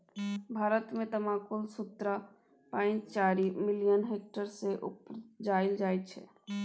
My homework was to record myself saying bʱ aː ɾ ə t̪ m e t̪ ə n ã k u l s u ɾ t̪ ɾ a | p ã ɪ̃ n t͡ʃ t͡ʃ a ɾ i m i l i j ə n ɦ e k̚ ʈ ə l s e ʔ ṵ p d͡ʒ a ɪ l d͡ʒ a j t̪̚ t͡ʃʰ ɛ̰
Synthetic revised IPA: bʱ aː ɾ ə t̪ m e t̪ ə m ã k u l s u t̪ ɾ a | p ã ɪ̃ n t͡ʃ t͡ʃ a ɾ i m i l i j ə n ɦ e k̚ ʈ ə ɾ s e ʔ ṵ p d͡ʒ a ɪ l d͡ʒ a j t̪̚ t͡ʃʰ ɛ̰